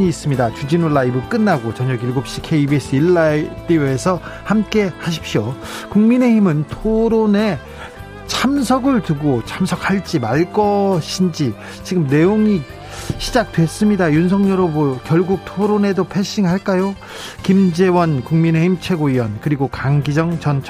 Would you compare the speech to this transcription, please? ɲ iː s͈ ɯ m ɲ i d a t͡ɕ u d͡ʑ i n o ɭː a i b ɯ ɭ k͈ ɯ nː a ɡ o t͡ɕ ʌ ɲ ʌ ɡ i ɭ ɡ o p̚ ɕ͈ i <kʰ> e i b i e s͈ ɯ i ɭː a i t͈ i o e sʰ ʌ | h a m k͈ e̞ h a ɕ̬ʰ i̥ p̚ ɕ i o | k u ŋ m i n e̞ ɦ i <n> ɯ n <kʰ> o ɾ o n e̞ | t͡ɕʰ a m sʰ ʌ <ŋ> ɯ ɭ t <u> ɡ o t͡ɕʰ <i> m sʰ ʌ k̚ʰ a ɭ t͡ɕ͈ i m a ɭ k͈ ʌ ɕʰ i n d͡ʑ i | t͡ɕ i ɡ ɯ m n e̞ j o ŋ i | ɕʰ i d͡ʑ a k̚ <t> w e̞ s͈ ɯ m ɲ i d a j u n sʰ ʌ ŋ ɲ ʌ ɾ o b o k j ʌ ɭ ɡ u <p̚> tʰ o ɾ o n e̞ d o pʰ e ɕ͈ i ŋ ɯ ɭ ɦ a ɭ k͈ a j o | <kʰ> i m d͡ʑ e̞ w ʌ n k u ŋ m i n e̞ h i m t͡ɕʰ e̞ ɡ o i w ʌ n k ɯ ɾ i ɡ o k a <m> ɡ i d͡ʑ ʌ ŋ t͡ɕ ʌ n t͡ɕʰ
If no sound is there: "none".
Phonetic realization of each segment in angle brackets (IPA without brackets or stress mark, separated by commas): kʰ, m, tʰ, ɡ, ɯ, a, t, k̚, k, ŋ